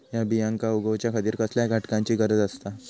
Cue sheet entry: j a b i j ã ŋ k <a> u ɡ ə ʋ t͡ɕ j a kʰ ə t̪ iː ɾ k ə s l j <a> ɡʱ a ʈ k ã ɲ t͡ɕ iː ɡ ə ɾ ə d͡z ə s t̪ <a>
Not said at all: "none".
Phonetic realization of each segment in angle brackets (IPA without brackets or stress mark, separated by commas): a, a, a